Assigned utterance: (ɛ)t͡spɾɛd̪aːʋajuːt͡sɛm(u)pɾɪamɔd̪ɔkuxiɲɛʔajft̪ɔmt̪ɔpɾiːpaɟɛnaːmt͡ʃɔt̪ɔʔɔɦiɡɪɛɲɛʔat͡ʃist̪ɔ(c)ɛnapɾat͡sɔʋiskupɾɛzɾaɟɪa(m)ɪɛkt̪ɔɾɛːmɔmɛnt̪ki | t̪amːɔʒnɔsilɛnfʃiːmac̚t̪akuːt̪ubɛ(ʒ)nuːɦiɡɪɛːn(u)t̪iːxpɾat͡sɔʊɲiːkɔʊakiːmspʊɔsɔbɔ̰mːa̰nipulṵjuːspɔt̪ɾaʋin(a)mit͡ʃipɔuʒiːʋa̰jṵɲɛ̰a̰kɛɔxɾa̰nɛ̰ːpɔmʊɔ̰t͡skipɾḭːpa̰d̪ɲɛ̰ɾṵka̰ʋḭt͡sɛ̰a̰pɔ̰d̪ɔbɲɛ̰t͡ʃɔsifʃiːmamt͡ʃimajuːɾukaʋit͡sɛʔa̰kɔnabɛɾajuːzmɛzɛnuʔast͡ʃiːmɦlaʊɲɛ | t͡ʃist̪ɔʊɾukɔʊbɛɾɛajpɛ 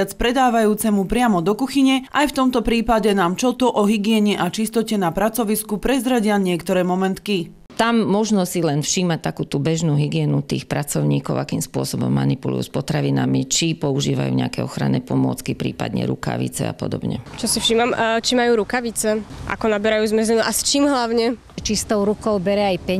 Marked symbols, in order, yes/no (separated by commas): no, yes, yes, no, yes, yes, yes